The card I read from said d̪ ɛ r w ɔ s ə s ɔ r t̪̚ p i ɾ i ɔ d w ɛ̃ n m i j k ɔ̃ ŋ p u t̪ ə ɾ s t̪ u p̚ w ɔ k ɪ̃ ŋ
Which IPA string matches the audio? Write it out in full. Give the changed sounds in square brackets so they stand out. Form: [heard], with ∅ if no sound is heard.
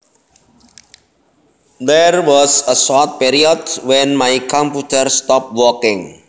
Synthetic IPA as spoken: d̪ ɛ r w ɔ s ə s ɔ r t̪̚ p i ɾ i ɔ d w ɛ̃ n m [a] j k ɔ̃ [m] p u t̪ ə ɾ s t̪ [ɔ] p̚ w ɔ k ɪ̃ ŋ